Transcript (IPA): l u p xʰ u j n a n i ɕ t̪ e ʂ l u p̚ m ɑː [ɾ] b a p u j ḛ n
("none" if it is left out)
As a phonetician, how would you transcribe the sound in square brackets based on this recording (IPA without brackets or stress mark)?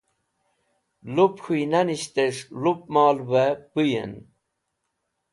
l